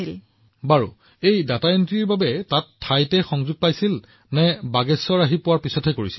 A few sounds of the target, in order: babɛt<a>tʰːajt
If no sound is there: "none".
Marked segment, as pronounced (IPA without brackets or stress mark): a